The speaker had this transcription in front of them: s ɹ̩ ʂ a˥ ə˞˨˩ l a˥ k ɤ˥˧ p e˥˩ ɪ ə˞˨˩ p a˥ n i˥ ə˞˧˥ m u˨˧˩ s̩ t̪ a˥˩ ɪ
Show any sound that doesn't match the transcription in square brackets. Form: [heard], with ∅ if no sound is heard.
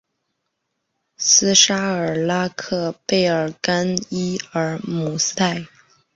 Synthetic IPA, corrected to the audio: s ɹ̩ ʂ a˥ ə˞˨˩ l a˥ [kʰ] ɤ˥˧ p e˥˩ ɪ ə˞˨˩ [k] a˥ n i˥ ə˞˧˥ m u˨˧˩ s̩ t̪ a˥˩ ɪ